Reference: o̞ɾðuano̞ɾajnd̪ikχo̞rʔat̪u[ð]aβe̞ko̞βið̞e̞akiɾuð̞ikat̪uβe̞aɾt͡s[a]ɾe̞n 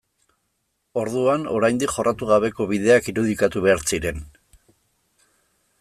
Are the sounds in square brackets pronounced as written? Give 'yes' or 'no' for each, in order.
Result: no, no

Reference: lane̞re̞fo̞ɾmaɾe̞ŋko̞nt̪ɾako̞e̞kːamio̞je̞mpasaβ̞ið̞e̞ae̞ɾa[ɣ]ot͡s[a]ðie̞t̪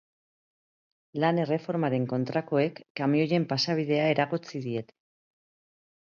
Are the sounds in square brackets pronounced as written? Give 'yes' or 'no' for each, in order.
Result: yes, no

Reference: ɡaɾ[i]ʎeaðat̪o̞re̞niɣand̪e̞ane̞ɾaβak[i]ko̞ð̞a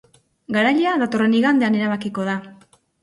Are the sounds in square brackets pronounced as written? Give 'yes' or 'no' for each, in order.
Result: no, yes

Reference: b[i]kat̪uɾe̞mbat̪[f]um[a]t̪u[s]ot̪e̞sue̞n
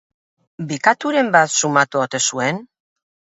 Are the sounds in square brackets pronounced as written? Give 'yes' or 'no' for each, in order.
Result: yes, no, yes, no

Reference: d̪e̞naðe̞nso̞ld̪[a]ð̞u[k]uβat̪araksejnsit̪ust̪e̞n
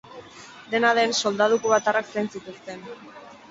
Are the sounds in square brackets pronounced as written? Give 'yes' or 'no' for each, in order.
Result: yes, yes

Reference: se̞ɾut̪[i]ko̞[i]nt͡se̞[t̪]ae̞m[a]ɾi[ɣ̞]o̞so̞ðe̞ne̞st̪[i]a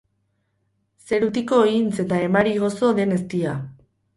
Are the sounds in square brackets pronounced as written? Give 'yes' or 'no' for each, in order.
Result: yes, yes, yes, yes, yes, yes

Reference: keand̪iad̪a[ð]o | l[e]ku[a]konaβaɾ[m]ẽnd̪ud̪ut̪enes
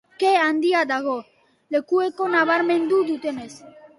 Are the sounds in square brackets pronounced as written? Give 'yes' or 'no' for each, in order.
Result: no, yes, no, yes

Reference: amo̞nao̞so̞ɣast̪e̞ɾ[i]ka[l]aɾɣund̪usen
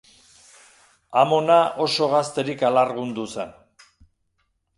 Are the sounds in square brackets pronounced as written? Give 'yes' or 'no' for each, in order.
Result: yes, yes

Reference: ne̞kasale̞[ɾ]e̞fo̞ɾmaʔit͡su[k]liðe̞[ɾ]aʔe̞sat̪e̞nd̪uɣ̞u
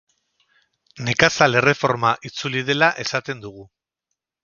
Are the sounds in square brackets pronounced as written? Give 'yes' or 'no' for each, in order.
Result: no, no, no

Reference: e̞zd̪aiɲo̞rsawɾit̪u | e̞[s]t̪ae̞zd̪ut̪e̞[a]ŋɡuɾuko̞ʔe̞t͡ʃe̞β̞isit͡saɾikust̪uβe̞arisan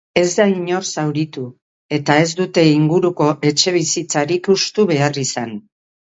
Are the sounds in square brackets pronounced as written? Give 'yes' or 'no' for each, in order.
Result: no, no

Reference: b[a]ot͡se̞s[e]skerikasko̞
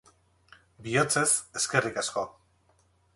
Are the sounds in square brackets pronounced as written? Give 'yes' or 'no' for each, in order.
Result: no, yes

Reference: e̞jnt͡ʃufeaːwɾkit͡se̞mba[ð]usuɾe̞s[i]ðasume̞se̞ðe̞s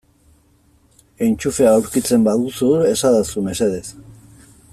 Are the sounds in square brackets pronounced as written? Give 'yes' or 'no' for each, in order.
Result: yes, no

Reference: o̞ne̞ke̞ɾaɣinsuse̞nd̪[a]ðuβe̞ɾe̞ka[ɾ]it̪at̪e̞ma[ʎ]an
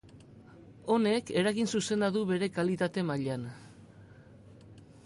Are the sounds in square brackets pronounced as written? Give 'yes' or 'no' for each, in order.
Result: yes, no, yes

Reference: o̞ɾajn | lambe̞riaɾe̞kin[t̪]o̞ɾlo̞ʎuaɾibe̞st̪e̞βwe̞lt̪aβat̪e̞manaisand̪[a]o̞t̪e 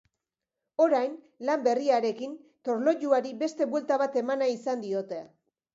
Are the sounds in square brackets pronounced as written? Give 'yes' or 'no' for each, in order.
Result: yes, no

